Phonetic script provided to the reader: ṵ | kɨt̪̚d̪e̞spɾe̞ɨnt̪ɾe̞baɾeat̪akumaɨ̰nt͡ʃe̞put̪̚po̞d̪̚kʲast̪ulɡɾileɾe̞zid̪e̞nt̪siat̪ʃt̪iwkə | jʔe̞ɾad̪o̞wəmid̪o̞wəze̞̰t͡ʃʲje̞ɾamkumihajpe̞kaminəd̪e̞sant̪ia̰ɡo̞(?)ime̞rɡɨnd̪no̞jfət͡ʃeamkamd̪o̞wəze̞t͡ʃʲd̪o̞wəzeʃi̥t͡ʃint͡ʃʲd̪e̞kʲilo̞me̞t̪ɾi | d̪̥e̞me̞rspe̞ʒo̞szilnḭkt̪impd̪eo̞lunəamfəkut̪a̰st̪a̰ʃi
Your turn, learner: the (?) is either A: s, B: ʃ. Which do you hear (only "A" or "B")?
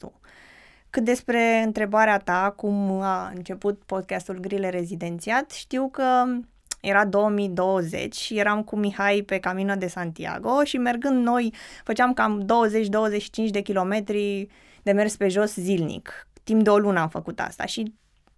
B